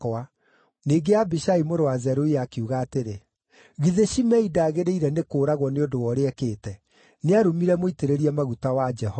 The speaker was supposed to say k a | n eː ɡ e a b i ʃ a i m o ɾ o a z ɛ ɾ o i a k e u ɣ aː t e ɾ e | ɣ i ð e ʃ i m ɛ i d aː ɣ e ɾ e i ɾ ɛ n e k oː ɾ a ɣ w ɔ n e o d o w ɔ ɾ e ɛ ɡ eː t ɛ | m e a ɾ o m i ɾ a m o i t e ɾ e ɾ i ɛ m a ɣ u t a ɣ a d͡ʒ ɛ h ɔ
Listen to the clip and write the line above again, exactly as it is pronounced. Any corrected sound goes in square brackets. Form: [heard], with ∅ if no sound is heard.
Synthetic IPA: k a | n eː ɡ e a b i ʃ a i m o ɾ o a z ɛ ɾ o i a k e u ɣ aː t e ɾ e | ɣ i ð e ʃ i m ɛ i d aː ɣ e ɾ e i ɾ ɛ n e k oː ɾ a ɣ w ɔ n e o d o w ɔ ɾ e ɛ [k] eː t ɛ | [n] e a ɾ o m i ɾ [ɛ] m o i t e ɾ e ɾ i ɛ m a ɣ u t a [w] a d͡ʒ ɛ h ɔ